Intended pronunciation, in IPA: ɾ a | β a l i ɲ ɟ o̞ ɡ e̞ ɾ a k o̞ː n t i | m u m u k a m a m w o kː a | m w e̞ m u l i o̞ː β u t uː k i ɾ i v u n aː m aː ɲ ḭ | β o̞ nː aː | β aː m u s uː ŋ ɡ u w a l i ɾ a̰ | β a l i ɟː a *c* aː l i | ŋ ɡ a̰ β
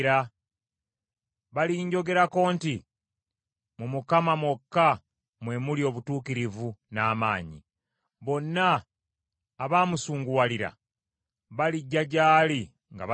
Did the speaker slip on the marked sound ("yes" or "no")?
yes